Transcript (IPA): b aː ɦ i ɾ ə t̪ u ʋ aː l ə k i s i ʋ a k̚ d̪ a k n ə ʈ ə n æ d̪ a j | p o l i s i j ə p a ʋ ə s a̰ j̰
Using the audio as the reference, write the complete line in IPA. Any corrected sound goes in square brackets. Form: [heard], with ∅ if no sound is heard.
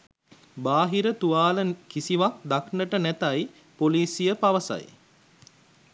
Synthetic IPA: b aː ɦ i ɾ ə t̪ u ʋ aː l ə k i s i ʋ a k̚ d̪ a k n ə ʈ ə n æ [t̪] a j | p o l [iː] s i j ə p a ʋ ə s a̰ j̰